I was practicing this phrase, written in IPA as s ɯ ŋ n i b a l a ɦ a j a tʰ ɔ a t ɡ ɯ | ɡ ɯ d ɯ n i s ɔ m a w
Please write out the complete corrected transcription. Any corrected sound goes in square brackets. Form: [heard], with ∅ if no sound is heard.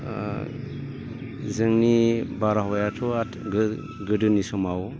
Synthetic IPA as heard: [z] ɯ ŋ n i b a [ɾ] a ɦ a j a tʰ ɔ a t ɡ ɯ | ɡ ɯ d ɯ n i s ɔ m a w